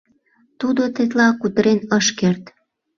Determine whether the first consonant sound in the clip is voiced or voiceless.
voiceless